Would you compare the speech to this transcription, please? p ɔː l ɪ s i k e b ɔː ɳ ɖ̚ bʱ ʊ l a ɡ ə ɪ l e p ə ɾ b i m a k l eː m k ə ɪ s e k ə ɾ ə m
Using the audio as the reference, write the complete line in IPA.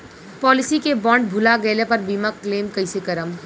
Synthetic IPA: p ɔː l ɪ s i k e b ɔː ɳ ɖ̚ bʱ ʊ l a ɡ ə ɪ l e p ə ɾ b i m a k l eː m k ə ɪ s e k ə ɾ ə m